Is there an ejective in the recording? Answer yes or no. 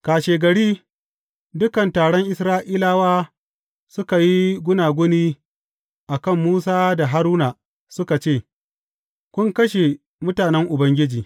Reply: no